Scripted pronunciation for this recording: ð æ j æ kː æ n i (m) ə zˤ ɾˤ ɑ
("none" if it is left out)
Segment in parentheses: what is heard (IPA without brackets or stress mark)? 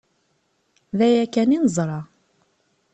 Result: n